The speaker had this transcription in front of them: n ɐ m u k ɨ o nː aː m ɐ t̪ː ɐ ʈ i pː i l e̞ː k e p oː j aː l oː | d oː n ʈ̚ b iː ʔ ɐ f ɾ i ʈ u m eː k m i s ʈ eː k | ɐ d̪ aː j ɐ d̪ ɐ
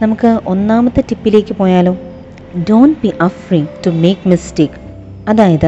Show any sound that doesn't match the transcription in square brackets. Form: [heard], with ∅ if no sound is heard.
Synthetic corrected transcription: n ɐ m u k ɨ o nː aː m ɐ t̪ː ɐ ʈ i pː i l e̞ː k [i] p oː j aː l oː | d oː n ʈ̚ b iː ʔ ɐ f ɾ i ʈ u m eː k m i s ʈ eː k | ɐ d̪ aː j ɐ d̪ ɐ